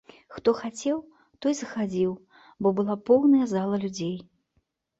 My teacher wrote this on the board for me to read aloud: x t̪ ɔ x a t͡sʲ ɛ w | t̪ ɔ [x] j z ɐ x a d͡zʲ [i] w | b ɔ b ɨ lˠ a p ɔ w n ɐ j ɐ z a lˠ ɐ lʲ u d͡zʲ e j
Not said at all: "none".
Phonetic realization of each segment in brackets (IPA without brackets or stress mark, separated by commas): none, i